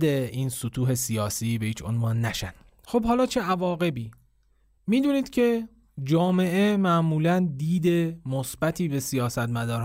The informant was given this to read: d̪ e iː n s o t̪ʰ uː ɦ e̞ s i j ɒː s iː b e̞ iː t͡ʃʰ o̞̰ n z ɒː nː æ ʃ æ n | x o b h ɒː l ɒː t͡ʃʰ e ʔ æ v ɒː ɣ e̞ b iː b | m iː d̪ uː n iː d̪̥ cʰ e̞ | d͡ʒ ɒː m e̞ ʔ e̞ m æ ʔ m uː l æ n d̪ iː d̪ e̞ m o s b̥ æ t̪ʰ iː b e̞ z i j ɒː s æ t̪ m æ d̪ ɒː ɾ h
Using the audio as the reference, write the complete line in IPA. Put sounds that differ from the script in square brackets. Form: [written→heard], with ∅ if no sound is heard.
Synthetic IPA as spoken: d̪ e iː n s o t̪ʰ uː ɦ e̞ s i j ɒː s iː b e̞ iː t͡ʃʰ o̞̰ n [z→v] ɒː nː æ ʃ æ n | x o b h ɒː l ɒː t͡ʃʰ e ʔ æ v ɒː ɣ e̞ b iː [b→∅] | m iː d̪ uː n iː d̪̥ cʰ e̞ | d͡ʒ ɒː m e̞ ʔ e̞ m æ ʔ m uː l æ n d̪ iː d̪ e̞ m o s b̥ æ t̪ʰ iː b e̞ [z→s] i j ɒː s æ t̪ m æ d̪ ɒː ɾ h